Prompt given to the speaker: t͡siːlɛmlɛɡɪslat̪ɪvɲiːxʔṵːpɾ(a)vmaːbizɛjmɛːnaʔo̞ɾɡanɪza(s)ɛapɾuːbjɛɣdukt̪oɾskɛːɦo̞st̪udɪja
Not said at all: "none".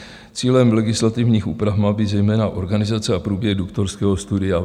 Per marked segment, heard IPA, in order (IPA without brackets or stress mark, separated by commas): a, t͡s